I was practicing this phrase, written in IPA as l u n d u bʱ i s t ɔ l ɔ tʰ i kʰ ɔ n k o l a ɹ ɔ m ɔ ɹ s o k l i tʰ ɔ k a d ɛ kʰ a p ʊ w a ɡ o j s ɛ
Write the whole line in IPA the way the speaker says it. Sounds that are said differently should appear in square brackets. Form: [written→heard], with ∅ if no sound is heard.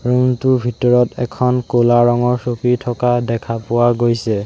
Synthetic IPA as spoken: [l→ɹ] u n [d→t] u bʱ i [s→∅] t ɔ [l→ɹ] ɔ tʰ [i→ɛ] kʰ ɔ n k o l a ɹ ɔ [m→ŋ] ɔ ɹ s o k [l→ɹ] i tʰ ɔ k a d ɛ kʰ a p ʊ w a ɡ o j s ɛ